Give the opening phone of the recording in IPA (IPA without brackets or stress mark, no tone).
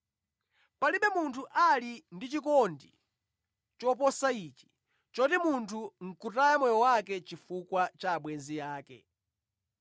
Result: p